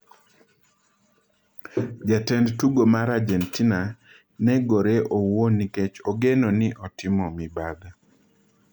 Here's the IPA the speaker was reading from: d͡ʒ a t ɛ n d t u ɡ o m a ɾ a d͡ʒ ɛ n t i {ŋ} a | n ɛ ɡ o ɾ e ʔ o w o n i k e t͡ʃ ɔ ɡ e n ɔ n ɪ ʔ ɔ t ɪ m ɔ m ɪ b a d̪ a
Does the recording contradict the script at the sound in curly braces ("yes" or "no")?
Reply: yes